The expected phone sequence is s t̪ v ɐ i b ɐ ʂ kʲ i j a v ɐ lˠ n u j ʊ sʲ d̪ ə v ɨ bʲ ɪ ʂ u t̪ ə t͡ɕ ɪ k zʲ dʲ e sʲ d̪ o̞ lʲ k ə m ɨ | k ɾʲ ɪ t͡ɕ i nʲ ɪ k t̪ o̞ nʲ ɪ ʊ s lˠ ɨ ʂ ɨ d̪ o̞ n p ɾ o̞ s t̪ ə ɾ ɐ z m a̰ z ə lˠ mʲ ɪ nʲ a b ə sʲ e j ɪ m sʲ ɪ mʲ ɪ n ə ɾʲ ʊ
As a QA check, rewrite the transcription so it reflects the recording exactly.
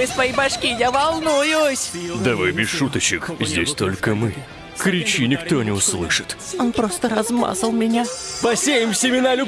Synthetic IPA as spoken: s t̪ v ɐ i b ɐ ʂ kʲ i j a v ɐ lˠ n u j ʊ sʲ d̪ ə v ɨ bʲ ɪ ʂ u t̪ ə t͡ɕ ɪ k zʲ dʲ e sʲ t̪ o̞ lʲ k ə m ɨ | k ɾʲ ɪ t͡ɕ i nʲ ɪ k t̪ o̞ nʲ ɪ ʊ s lˠ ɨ ʂ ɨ t̪ o̞ n p ɾ o̞ s t̪ ə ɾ ɐ z m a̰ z ə lˠ mʲ ɪ nʲ a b ɐ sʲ e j ɪ m sʲ ɪ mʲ ɪ n a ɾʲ ʊ